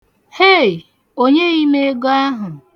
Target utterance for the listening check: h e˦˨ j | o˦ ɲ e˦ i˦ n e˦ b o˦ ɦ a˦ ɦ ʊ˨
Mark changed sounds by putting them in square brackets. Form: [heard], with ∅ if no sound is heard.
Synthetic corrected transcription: h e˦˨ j | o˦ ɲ e˦ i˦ [m] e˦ [ɡ] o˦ [∅] a˦ ɦ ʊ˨